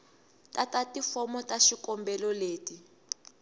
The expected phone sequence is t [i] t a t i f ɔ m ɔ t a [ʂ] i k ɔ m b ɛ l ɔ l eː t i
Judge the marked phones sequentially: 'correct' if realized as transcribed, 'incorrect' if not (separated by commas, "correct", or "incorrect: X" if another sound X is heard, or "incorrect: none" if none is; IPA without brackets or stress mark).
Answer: incorrect: a, incorrect: ʃ